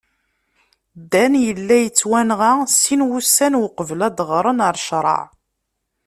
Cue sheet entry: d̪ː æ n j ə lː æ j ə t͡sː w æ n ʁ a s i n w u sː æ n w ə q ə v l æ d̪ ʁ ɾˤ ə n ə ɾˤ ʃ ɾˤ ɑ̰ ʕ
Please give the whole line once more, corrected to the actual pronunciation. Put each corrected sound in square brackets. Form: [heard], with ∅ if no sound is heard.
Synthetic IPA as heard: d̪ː æ n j ə lː æ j ə t͡sː w æ n ʁ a s i n w u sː æ n w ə q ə v l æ d̪ ʁ ɾˤ ə n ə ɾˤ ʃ ɾˤ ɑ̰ ʕ